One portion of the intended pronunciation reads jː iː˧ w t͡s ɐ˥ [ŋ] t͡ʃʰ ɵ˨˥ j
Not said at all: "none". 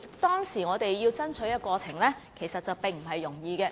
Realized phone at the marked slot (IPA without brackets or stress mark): n